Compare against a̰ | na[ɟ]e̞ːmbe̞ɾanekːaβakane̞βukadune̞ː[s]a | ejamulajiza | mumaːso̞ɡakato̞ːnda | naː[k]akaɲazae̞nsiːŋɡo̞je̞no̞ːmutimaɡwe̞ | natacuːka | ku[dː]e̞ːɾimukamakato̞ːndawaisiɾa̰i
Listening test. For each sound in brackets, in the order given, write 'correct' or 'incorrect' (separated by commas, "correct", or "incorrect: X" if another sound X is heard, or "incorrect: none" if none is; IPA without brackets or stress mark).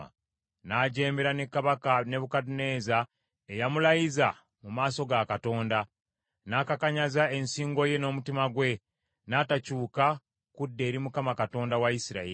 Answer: correct, incorrect: z, correct, correct